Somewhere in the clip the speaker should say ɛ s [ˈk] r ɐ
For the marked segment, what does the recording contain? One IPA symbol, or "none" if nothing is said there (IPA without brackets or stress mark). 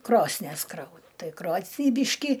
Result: k